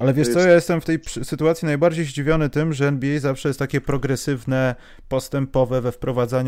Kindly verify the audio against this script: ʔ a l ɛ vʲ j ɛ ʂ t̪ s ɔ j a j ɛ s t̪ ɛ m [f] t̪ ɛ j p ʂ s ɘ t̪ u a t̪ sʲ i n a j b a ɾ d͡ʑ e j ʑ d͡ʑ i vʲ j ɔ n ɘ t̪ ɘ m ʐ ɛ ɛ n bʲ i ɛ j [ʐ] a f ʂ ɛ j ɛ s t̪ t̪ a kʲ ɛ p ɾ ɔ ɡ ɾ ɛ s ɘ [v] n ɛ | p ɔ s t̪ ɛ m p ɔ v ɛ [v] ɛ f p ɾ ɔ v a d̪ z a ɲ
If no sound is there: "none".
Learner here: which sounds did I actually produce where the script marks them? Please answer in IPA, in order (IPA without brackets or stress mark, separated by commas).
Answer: f, z, v, v